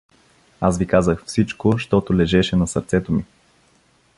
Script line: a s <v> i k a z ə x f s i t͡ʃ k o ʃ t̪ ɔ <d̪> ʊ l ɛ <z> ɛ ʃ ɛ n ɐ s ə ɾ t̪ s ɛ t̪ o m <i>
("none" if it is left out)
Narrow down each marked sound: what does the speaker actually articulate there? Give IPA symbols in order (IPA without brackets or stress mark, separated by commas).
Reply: v, t̪, ʒ, i